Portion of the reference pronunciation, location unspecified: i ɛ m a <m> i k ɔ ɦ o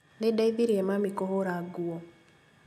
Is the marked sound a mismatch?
no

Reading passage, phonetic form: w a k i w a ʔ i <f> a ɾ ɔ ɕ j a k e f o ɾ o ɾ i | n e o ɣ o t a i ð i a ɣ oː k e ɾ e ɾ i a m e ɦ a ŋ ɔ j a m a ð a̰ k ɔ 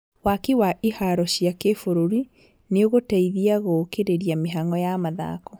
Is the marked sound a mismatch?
yes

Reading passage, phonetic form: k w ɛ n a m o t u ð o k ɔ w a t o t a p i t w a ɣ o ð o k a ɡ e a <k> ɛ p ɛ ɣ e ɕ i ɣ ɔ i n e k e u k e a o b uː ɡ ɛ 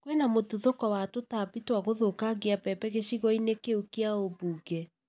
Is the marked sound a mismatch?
yes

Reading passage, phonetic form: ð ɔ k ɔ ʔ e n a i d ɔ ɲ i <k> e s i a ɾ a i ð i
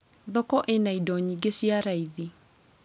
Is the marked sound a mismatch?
yes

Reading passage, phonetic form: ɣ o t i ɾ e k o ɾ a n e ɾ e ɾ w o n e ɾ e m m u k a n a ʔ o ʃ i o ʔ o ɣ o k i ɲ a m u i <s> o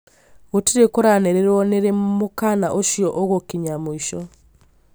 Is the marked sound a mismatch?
yes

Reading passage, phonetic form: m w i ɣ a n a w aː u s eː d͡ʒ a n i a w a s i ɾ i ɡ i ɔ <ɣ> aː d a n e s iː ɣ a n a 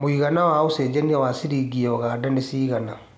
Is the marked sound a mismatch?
no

